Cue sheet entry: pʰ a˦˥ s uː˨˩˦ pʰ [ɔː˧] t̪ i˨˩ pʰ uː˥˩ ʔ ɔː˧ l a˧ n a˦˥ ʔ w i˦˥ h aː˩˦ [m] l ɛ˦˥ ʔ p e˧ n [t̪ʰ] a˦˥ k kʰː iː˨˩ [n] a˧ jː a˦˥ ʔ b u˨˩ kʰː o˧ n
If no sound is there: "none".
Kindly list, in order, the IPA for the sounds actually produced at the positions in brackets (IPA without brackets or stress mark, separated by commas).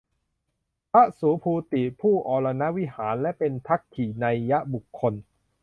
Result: uː˧, n, t̪ʰ, n